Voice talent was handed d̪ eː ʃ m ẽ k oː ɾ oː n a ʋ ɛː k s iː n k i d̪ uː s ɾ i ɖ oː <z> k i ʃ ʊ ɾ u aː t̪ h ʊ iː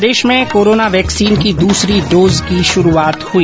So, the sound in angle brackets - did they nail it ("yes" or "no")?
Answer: yes